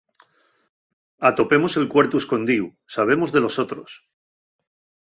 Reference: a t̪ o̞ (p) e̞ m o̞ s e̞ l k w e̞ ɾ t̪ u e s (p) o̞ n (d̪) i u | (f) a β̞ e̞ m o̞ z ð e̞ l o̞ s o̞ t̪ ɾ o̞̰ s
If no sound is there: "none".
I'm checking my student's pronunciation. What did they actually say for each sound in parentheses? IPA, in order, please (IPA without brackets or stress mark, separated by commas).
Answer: p, k, d̪, s